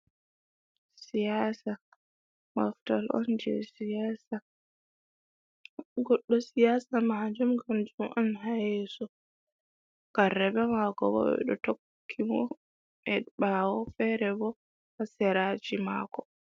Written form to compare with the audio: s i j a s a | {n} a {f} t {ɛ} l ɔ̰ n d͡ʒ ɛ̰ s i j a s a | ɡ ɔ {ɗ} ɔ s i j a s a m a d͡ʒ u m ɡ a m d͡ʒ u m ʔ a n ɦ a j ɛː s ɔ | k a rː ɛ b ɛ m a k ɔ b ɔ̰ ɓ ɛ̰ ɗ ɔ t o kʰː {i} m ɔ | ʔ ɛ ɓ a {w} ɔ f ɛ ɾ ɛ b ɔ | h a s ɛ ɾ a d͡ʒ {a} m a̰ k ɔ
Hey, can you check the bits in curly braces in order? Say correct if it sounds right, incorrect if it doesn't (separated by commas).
incorrect, correct, incorrect, incorrect, correct, correct, incorrect